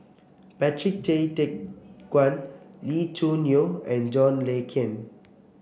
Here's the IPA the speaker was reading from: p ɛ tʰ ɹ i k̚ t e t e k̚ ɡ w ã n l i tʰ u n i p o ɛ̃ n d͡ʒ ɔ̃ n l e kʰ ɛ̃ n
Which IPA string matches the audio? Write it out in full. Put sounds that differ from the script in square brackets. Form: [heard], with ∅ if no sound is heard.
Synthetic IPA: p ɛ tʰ ɹ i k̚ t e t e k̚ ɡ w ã n l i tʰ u n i [∅] o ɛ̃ n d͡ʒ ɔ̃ n l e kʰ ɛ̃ n